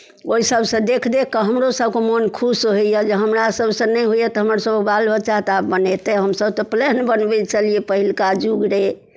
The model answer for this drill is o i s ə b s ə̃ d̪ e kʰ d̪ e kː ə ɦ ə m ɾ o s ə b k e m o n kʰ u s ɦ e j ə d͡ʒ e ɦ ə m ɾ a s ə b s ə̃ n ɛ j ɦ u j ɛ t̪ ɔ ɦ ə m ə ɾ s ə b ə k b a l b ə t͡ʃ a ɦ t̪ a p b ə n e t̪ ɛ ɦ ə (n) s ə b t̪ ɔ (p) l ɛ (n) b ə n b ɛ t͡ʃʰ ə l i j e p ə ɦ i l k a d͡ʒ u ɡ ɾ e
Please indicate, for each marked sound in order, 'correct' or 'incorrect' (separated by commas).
incorrect, correct, correct